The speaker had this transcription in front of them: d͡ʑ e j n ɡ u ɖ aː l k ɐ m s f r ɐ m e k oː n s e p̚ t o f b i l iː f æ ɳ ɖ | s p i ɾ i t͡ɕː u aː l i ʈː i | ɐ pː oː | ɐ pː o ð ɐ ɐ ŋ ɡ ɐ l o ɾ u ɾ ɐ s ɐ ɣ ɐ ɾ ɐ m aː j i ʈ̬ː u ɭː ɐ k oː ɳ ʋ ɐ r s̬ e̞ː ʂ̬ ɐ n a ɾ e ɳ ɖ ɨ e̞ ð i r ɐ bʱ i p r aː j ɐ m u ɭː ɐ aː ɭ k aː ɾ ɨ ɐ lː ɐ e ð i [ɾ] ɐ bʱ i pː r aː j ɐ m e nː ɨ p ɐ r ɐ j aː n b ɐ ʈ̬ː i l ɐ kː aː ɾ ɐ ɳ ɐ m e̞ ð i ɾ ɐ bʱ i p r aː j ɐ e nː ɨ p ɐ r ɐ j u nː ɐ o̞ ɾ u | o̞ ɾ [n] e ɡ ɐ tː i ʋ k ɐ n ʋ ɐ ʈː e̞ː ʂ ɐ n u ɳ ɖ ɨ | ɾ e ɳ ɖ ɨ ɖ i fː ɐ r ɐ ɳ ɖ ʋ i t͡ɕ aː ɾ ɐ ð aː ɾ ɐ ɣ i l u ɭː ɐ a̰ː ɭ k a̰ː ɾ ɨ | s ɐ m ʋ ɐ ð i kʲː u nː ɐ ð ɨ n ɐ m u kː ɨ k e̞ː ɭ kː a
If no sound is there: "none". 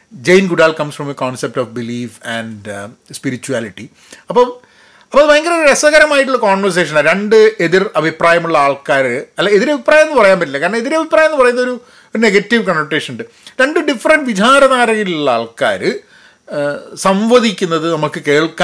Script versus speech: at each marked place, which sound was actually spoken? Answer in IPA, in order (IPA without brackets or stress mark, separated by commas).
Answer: ɾ, n